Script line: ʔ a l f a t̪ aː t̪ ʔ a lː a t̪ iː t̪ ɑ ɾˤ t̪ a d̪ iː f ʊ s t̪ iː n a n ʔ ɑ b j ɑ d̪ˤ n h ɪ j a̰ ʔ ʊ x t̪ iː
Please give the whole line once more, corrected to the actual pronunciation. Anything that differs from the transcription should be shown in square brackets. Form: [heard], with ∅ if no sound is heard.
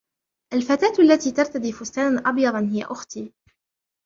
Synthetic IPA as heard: ʔ a l f a t̪ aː t̪ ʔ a lː a t̪ iː t̪ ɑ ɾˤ t̪ a d̪ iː f ʊ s t̪ [aː] n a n ʔ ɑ b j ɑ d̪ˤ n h ɪ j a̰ ʔ ʊ x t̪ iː